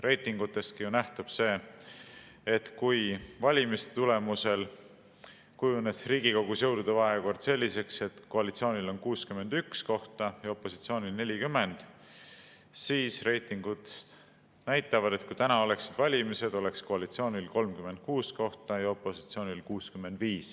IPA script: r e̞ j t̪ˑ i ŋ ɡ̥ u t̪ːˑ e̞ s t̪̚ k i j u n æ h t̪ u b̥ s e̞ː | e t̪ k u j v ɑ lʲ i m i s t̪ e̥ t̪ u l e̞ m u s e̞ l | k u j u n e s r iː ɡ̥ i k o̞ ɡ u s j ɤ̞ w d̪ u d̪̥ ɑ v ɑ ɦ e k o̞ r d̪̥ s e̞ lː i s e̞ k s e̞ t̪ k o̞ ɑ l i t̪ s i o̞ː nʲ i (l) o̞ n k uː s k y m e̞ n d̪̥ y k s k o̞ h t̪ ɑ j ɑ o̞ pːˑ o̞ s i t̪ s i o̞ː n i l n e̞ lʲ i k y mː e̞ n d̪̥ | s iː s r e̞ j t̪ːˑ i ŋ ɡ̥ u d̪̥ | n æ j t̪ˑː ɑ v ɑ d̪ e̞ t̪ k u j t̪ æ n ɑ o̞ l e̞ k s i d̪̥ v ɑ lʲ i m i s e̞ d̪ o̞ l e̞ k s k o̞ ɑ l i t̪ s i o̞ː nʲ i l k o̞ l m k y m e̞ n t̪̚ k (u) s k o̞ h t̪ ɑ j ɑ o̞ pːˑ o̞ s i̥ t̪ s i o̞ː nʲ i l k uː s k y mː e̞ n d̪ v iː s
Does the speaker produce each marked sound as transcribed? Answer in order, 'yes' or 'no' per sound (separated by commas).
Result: yes, no